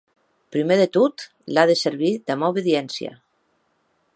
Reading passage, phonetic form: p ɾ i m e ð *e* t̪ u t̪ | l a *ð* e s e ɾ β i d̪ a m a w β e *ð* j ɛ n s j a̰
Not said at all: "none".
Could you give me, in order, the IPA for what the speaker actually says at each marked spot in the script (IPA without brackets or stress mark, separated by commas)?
e, ð, ð